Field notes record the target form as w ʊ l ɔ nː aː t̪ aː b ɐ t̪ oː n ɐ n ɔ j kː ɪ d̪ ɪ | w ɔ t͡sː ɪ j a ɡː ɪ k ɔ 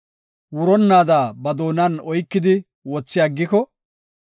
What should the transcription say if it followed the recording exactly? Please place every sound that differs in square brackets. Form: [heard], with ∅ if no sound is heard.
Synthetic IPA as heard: w ʊ [ɾ] ɔ nː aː [d̪] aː b ɐ [d̪] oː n ɐ n ɔ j kː ɪ d̪ ɪ | w ɔ t͡sː ɪ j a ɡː ɪ k ɔ